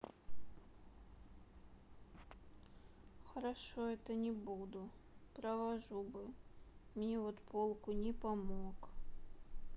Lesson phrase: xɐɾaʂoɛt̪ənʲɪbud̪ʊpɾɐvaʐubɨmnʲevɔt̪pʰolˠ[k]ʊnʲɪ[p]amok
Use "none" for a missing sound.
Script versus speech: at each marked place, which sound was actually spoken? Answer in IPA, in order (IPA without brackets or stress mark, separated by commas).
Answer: k, p